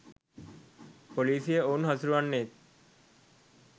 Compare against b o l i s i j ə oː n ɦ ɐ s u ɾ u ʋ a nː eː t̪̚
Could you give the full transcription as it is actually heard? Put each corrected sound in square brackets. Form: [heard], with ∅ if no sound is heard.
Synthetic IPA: [p] o l [iː] s i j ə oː n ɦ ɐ s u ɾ u ʋ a nː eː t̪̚